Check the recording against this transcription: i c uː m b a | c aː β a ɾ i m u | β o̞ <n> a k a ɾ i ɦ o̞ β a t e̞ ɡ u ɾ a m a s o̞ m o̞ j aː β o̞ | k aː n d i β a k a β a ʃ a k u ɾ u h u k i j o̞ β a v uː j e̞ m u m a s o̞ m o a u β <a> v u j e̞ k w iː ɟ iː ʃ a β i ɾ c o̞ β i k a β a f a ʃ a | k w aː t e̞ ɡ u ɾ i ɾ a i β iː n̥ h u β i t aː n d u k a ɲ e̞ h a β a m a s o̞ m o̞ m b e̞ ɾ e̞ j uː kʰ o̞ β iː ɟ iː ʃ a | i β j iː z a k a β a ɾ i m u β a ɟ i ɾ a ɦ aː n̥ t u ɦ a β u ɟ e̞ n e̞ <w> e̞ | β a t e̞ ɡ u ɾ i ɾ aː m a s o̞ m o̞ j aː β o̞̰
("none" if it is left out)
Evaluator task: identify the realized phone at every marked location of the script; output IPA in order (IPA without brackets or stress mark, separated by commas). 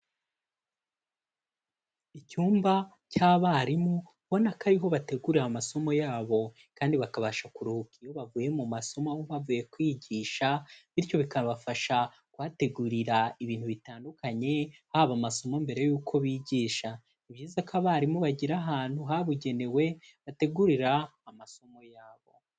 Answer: n, a, w